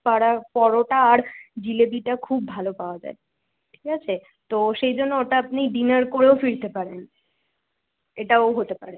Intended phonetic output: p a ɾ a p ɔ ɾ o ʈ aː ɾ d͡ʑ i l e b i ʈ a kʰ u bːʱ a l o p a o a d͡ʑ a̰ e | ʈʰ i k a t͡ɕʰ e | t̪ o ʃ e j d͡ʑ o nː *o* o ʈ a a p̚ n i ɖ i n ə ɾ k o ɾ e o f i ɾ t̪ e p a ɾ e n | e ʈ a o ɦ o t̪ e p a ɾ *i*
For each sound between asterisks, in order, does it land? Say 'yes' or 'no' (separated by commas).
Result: yes, no